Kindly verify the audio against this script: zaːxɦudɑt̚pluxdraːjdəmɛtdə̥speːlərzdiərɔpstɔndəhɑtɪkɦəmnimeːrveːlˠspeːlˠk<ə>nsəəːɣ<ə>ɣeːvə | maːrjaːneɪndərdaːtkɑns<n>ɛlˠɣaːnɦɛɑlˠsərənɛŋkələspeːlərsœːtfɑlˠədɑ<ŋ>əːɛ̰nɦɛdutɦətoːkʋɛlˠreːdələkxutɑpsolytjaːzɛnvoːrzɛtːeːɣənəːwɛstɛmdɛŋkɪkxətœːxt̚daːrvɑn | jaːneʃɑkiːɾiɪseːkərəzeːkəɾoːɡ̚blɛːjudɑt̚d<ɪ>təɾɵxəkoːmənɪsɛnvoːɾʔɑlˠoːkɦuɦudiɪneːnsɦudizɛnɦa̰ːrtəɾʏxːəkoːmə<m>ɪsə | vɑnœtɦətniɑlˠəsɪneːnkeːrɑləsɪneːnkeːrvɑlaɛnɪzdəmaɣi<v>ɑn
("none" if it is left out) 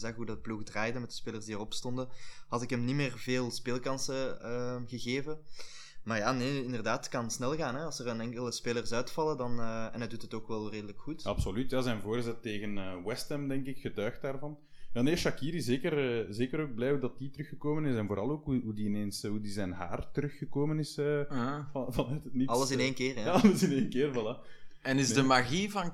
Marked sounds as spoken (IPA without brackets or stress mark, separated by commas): ɑ, ə, n, n, i, n, v